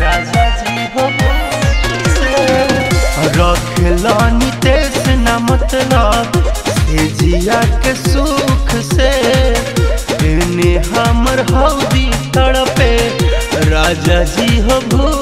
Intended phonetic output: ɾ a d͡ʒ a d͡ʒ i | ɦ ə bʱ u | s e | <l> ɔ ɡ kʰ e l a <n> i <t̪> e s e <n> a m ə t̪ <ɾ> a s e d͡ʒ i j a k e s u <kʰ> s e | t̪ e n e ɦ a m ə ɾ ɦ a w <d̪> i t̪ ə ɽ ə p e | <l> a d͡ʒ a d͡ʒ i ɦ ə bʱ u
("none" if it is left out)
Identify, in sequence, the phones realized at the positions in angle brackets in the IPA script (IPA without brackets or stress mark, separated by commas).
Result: ɾ, n, t̪, n, l, kʰ, d̪, ɾ